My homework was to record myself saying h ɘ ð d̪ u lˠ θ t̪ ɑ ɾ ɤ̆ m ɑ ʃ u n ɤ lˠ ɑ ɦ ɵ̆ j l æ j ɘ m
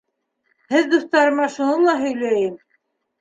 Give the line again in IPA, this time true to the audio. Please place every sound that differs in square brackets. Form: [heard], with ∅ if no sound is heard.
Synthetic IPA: h ɘ ð d̪ u [∅] θ t̪ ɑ ɾ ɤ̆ m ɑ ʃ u n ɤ lˠ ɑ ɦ ɵ̆ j l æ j ɘ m